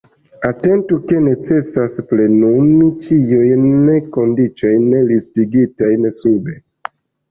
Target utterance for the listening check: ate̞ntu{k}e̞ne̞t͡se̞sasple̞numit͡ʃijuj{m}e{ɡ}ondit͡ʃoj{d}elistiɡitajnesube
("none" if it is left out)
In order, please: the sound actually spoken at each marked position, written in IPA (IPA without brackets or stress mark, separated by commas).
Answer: k, n, k, n